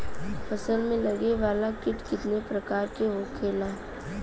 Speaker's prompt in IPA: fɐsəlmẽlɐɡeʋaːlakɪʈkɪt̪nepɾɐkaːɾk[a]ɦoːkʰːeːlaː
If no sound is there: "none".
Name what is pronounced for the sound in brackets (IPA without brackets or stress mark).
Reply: e